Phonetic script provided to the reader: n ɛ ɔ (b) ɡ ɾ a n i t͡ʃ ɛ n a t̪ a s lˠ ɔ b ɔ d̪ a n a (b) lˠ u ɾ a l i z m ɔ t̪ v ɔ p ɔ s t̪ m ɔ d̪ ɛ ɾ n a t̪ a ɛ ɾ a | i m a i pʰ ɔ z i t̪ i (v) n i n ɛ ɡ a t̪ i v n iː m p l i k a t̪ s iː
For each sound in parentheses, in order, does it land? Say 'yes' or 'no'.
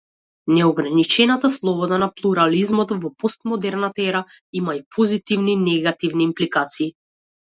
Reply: no, no, yes

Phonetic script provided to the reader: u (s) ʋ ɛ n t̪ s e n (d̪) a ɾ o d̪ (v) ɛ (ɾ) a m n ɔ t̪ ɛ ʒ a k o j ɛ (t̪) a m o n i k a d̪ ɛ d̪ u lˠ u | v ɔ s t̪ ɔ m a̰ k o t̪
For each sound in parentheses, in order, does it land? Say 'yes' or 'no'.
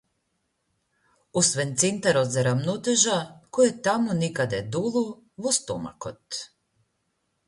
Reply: yes, no, no, yes, yes

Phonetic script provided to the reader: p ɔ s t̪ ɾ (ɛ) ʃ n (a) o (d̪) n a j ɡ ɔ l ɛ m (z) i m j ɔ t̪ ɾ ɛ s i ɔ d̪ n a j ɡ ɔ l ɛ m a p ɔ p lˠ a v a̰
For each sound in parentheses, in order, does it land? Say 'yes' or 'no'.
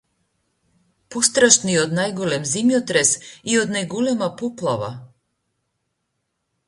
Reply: no, no, yes, yes

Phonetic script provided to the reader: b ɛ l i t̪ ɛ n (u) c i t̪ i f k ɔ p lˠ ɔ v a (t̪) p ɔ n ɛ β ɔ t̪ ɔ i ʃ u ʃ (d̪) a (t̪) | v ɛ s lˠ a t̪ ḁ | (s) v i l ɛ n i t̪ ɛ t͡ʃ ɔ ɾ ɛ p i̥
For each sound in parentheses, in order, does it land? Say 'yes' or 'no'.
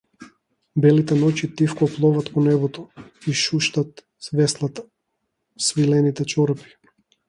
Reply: no, yes, no, yes, yes

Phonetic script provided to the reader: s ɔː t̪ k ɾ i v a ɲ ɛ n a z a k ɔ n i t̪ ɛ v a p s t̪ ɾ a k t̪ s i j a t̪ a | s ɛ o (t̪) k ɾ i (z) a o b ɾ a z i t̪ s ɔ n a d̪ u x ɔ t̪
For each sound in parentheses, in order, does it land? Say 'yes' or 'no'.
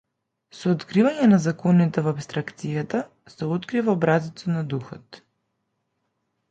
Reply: yes, no

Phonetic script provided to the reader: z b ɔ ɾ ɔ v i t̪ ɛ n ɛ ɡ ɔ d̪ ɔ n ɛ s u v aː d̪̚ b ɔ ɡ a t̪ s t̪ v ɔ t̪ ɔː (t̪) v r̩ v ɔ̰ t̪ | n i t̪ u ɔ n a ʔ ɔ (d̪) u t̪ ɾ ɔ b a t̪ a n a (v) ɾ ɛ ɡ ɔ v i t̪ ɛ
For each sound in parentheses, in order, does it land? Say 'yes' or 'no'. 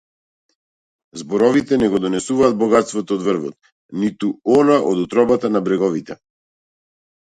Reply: no, yes, no

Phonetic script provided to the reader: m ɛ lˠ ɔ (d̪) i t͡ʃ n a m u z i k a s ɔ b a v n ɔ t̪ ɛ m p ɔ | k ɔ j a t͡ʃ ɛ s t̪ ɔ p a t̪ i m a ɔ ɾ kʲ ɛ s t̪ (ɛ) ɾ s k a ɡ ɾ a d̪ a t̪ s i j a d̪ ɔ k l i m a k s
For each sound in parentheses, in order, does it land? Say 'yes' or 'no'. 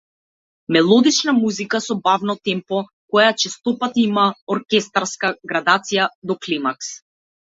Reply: yes, no

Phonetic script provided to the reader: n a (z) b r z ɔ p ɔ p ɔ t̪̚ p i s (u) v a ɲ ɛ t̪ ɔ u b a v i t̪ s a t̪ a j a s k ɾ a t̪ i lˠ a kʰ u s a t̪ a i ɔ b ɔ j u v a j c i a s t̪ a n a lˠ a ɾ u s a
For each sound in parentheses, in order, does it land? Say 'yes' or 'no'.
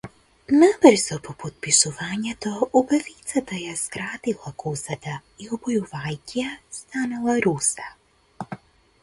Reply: no, yes

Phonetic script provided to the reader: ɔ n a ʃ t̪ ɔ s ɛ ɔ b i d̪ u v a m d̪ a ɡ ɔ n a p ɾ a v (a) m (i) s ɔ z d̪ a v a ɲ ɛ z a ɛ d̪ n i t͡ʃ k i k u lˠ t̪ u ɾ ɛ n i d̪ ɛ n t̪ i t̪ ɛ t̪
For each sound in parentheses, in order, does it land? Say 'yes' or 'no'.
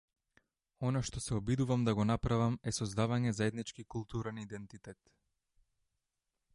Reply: yes, no

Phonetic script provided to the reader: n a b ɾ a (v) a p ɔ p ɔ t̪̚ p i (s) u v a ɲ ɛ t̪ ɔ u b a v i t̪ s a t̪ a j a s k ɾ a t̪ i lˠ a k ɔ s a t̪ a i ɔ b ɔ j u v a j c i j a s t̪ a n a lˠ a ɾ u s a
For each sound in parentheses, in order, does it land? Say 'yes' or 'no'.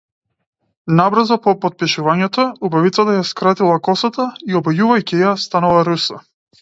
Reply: no, no

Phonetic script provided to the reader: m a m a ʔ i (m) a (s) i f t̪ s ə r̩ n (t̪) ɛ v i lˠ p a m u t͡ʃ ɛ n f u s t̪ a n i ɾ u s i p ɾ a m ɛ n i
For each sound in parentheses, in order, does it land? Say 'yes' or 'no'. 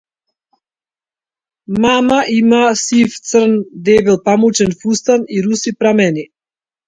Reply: yes, yes, no

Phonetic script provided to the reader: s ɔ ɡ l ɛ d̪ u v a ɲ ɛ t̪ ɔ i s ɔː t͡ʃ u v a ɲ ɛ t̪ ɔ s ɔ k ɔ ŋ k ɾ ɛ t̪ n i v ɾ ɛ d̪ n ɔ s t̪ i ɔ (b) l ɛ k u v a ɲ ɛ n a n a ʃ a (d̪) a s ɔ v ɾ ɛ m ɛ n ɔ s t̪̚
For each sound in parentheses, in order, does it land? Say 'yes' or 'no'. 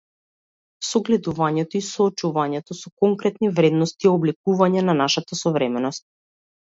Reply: yes, no

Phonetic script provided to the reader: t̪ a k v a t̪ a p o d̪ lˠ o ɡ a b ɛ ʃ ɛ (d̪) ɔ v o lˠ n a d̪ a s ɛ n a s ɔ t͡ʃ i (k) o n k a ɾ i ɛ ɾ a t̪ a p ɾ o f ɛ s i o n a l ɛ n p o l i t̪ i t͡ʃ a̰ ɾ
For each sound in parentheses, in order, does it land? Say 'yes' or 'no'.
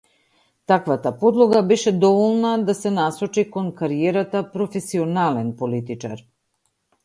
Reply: yes, yes

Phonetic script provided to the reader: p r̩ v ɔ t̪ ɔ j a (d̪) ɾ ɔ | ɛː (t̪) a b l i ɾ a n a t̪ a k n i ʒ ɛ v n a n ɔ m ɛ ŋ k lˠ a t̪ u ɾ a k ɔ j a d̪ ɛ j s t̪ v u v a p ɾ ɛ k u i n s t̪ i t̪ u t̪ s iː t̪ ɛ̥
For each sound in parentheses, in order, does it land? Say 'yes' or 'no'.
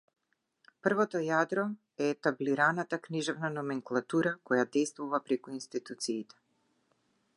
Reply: yes, yes

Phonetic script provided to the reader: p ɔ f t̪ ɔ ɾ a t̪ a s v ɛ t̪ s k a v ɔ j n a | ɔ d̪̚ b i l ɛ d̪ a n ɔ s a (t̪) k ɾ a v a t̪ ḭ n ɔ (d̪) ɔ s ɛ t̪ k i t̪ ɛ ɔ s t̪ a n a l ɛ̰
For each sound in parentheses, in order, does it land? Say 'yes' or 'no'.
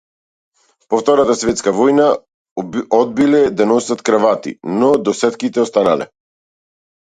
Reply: yes, yes

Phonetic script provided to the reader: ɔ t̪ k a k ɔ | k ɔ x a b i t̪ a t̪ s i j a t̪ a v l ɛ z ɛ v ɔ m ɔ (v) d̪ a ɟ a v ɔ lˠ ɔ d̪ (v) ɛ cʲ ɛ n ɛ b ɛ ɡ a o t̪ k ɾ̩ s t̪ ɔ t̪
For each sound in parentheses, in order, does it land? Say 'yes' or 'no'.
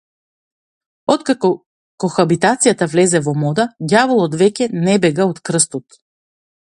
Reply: no, yes

